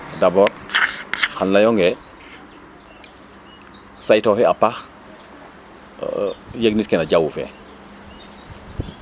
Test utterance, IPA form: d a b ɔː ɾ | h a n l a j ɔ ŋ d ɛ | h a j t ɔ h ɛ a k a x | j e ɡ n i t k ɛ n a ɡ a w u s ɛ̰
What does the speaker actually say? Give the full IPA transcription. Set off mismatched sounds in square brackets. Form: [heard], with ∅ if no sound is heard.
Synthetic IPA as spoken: d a b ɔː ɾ | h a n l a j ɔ ŋ [ɡ] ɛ | [s] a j t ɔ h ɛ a [p] a x | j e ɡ n i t k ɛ n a [ɟ] a w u [f] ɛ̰